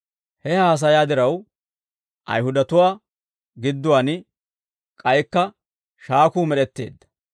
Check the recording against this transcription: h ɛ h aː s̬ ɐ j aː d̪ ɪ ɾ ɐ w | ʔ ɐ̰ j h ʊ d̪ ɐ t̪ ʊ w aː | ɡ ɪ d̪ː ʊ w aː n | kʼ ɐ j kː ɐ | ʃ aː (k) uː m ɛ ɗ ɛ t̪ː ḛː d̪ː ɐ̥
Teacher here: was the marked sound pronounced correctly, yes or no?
yes